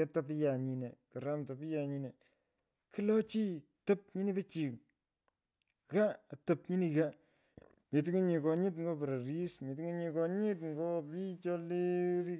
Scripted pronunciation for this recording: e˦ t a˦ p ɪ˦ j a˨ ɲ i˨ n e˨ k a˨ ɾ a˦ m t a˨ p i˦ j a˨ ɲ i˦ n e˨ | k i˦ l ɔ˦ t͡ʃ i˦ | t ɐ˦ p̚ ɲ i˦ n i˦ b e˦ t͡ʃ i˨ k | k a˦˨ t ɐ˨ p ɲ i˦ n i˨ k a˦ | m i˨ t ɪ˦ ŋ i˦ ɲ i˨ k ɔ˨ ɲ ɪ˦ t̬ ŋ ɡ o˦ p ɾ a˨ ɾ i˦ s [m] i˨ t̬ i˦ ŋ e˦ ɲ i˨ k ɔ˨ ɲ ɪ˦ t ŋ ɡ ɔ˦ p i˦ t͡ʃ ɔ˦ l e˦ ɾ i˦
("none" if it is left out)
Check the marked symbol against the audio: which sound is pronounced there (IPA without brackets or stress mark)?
m